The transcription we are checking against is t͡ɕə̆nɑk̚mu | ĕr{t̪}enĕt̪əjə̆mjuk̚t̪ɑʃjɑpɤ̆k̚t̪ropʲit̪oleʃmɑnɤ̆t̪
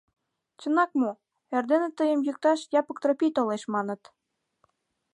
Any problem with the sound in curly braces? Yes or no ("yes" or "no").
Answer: yes